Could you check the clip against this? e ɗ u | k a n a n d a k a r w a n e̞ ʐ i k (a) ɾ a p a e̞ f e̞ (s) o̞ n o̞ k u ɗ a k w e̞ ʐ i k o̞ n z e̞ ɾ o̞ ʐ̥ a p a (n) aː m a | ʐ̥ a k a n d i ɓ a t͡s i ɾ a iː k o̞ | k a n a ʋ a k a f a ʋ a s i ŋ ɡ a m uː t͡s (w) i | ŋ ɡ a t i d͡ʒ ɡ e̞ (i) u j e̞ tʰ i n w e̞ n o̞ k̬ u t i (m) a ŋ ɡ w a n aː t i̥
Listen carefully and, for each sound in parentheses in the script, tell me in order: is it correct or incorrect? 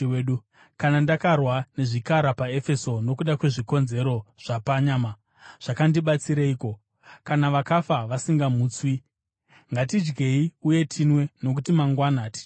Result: correct, correct, incorrect, correct, correct, correct

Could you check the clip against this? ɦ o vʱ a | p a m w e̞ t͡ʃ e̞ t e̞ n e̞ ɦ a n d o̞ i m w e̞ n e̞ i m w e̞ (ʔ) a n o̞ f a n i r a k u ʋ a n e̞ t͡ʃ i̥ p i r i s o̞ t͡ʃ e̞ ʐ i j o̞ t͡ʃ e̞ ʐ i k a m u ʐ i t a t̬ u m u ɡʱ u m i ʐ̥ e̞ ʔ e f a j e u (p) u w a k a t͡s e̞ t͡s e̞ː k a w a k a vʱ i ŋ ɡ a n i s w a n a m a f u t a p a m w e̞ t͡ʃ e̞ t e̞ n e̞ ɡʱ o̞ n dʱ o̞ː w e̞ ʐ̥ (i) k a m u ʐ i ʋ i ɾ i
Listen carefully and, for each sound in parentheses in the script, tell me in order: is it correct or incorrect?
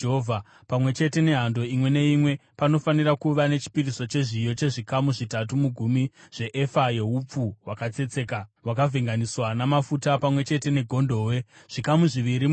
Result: incorrect, incorrect, correct

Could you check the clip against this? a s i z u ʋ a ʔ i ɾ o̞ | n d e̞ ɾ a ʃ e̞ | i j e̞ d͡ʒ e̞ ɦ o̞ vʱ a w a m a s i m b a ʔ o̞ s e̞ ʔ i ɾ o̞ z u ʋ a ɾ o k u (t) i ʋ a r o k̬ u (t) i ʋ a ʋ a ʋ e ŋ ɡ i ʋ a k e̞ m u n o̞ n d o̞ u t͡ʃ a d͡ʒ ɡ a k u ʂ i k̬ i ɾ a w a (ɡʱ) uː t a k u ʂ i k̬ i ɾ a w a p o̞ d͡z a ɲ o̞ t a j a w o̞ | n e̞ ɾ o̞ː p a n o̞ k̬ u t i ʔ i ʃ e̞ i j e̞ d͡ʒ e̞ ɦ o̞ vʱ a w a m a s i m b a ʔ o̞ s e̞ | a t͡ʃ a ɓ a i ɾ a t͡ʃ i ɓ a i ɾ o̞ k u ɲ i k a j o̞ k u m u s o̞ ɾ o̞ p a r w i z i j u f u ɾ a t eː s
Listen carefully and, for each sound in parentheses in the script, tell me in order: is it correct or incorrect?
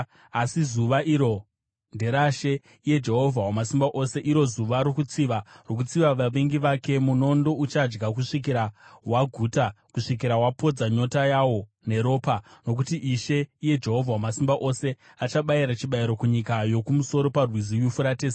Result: incorrect, incorrect, correct

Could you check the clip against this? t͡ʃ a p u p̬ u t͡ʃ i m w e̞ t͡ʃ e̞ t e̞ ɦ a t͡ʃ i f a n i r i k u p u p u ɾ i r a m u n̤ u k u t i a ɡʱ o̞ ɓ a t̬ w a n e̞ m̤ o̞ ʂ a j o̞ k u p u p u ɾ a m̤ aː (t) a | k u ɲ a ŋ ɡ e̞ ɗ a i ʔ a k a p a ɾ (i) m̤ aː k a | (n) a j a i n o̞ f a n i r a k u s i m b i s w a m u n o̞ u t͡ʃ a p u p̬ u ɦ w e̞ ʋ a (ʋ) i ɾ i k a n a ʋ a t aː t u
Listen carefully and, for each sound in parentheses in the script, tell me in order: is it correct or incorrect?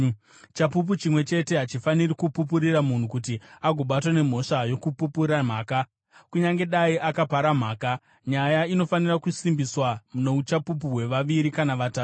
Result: incorrect, incorrect, incorrect, correct

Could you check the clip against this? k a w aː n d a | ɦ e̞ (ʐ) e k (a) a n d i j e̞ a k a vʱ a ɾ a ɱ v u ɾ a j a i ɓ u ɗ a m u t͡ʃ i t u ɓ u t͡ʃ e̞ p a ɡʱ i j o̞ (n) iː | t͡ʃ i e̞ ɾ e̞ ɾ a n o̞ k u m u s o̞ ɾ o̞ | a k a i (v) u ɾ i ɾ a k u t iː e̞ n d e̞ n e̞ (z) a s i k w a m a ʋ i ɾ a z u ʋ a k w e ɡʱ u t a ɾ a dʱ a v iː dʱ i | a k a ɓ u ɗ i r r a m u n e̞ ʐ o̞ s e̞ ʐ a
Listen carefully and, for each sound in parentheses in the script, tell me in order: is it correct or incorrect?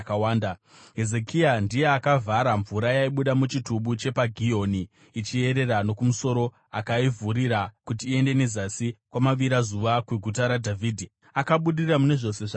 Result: incorrect, incorrect, correct, correct, correct

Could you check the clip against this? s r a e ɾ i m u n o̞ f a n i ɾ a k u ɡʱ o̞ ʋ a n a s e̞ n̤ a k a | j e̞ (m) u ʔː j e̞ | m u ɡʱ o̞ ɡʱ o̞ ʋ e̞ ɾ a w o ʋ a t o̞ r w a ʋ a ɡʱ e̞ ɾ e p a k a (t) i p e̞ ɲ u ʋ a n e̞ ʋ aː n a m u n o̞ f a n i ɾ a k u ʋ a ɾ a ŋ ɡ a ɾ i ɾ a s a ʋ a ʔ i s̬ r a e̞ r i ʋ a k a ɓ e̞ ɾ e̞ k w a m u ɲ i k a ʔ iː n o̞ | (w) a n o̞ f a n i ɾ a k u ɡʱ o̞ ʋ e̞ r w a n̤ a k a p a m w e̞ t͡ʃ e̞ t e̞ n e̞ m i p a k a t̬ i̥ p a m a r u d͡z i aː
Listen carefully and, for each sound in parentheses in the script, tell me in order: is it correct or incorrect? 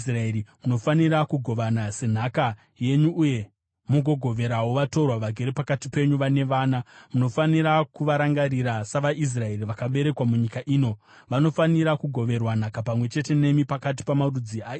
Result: incorrect, correct, incorrect

